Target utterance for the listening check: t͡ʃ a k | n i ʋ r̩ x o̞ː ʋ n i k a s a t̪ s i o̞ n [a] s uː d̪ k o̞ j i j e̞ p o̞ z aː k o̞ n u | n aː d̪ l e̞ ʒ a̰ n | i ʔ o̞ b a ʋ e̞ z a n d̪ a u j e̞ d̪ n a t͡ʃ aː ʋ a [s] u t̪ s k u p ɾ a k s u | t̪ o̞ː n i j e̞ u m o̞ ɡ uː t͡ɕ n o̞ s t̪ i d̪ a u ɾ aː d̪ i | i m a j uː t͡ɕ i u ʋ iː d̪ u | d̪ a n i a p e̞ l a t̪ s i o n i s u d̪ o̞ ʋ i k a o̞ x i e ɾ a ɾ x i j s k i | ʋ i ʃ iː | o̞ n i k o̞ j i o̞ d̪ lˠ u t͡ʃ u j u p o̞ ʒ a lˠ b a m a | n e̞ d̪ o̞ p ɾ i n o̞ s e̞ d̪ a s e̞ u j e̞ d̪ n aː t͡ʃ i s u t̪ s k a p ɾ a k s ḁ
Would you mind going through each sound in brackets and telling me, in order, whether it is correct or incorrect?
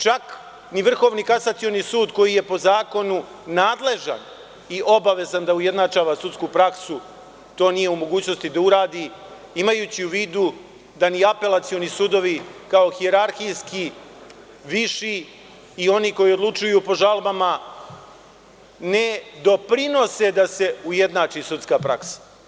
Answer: incorrect: i, correct

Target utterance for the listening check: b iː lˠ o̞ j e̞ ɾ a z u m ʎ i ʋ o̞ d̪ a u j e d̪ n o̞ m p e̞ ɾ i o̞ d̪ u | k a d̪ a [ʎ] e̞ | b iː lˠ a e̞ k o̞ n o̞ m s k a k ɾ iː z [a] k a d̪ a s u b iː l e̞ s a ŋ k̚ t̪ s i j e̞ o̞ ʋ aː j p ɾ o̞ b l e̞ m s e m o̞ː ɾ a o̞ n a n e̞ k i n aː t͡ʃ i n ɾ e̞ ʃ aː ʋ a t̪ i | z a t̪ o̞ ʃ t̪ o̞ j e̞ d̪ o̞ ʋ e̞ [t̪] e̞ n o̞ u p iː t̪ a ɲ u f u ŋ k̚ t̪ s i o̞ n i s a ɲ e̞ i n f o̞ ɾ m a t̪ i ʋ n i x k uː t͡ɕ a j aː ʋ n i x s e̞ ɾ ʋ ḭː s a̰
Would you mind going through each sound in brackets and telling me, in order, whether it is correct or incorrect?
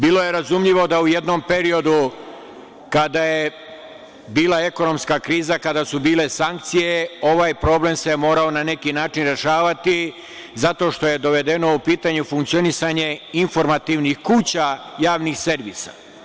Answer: incorrect: j, correct, incorrect: d̪

